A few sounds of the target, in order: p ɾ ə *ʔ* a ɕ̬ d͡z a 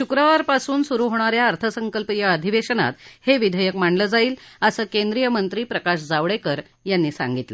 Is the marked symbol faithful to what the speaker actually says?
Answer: no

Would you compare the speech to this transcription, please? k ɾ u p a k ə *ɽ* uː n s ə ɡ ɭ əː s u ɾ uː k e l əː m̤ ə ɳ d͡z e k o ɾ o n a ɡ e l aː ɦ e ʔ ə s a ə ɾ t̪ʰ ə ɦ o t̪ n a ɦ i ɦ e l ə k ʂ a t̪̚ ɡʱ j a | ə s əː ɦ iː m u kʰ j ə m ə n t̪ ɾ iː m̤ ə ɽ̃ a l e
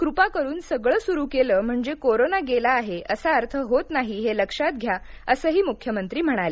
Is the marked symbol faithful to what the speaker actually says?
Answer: no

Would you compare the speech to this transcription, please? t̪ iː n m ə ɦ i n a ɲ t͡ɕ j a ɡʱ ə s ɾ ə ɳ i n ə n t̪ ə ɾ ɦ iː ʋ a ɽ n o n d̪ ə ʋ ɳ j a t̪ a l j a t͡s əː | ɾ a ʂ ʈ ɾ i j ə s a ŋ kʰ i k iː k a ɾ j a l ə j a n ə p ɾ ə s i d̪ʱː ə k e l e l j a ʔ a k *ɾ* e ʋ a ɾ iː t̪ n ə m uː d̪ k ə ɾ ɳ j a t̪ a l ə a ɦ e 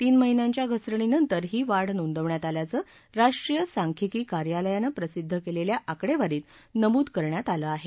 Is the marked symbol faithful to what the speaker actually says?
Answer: no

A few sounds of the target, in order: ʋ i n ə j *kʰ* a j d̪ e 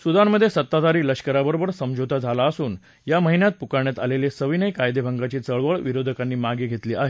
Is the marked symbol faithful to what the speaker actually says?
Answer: no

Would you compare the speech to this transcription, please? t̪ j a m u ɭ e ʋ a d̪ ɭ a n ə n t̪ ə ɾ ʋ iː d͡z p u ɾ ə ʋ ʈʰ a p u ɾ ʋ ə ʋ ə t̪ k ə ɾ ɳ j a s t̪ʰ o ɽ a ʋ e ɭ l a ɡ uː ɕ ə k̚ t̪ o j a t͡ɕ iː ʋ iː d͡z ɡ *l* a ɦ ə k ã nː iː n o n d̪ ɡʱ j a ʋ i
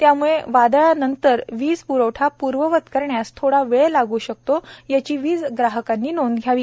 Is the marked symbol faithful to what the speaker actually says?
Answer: no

